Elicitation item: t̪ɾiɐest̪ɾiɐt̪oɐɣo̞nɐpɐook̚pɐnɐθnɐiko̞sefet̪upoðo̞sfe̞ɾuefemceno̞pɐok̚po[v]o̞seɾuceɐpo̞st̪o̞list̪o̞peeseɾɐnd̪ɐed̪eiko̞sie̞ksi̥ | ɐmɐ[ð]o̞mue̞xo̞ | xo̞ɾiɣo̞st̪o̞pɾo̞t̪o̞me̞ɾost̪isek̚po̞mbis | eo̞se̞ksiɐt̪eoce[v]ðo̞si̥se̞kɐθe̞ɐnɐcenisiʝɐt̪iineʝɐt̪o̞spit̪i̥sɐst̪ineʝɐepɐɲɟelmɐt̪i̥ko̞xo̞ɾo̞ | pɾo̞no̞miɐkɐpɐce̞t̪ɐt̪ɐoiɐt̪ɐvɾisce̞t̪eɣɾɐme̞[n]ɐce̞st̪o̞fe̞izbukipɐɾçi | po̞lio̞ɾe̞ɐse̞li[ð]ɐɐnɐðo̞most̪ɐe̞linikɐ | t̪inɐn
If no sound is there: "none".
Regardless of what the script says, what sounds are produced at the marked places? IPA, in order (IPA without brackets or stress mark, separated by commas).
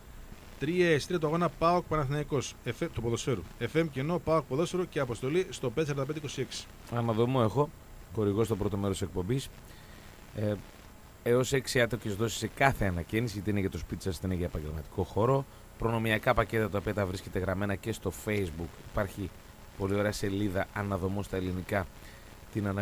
ð, ð, z, n, ð